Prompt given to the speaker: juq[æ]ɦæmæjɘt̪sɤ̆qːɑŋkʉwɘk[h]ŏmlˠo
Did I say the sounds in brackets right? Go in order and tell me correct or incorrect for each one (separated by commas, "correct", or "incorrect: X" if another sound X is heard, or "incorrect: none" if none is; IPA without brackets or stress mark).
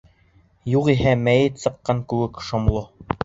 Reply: incorrect: i, incorrect: ʃ